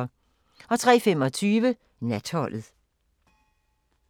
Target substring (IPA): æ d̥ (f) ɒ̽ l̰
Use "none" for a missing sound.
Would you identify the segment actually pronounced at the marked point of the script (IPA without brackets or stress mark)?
h